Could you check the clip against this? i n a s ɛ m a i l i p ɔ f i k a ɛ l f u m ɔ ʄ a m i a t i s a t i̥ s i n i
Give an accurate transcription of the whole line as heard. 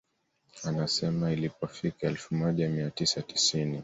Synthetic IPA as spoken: a n a s ɛ m a i l i p ɔ f i k a ɛ l f u m ɔ ʄ a m i a t i s a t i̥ s i n i

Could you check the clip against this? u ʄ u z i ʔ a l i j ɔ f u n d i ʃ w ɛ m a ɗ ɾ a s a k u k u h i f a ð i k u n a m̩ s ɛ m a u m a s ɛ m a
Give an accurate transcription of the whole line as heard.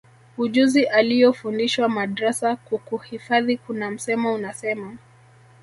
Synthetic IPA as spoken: u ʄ u z i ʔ a l i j ɔ f u n d i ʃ w a m a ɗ ɾ a s a k u k u h i f a ð i k u n a m̩ s ɛ m a u n a s ɛ m a

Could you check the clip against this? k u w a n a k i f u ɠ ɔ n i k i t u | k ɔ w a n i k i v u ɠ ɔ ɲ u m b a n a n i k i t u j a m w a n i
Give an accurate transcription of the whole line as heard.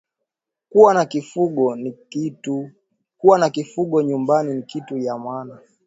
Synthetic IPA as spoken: k u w a n a k i f u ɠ ɔ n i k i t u | k u w a n a k i f u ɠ ɔ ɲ u m b a n i n i k i t u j a m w a n a

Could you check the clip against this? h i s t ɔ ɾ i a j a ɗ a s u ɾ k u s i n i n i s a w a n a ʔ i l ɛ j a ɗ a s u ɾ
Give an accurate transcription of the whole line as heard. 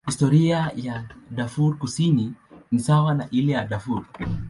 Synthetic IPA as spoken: h i s t ɔ ɾ i a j a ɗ a f u ɾ k u s i n i n i s a w a n a ʔ i l ɛ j a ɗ a f u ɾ

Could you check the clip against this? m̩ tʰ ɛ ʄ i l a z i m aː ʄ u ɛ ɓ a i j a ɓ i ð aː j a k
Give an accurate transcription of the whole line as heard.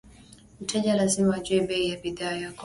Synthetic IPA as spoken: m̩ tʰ ɛ ʄ a l a z i m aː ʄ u ɛ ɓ ɛ i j a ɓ i ð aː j a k

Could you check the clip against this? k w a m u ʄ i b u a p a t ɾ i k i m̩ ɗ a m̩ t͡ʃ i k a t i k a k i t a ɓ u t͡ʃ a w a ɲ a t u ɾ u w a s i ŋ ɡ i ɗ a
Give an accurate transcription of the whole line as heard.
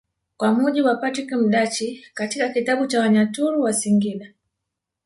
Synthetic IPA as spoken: k w a m u ʄ i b w a p a t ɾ i k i m̩ ɗ a t͡ʃ i k a t i k a k i t a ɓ u t͡ʃ a w a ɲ a t u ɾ u w a s i ŋ ɡ i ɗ a

